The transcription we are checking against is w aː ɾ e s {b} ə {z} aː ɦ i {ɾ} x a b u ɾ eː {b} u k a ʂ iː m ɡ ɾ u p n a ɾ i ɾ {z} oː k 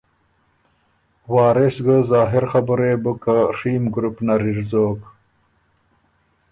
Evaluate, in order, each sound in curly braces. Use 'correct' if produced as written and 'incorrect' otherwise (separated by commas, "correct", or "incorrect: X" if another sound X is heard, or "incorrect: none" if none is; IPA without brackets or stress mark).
incorrect: ɡ, correct, correct, correct, correct